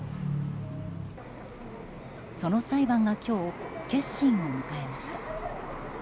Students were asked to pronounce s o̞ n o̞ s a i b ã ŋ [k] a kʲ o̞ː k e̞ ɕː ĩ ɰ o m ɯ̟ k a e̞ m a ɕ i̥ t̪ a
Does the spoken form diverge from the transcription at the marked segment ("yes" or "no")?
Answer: yes